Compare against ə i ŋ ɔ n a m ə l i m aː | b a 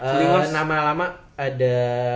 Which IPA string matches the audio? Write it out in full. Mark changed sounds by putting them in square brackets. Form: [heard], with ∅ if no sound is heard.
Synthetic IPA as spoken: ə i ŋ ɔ n a m [a] l [a] m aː | [d] a